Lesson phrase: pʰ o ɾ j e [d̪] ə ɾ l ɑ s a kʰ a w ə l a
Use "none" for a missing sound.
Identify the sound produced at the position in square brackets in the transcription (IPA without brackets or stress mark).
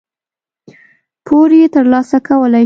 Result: t̪